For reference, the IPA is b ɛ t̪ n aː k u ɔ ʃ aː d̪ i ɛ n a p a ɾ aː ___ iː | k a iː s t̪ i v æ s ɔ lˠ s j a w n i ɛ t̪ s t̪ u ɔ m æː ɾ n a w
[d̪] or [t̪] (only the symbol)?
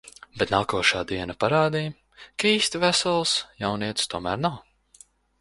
d̪